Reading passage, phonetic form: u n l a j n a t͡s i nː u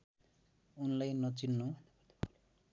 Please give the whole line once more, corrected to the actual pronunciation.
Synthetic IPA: u n l a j n ʌ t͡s i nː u